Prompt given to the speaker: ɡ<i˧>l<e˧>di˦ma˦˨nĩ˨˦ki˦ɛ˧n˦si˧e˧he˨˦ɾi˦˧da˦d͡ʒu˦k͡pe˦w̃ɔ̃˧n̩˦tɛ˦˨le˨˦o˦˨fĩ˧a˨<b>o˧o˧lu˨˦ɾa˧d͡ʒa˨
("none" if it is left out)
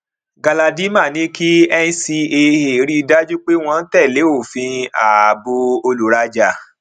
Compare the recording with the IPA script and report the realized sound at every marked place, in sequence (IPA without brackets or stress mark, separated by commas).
a˧, a˧, b